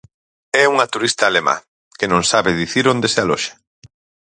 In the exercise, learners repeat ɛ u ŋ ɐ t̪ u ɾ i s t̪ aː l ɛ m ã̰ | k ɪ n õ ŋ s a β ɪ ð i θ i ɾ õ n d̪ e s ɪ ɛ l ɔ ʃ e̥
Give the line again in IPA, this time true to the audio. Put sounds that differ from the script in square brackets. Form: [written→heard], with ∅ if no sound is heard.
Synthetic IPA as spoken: ɛ u ŋ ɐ t̪ u ɾ i s t̪ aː l [ɛ→e] m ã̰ | k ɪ n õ ŋ s a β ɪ ð i θ i ɾ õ n d̪ e s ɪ [ɛ→a] l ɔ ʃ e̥